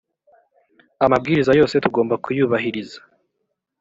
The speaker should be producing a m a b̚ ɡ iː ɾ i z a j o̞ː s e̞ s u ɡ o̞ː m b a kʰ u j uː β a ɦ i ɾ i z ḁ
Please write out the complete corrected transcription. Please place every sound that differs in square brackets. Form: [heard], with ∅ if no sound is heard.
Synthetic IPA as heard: a m a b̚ ɡ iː ɾ i z a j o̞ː s e̞ [t] u ɡ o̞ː m b a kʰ u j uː β a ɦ i ɾ i z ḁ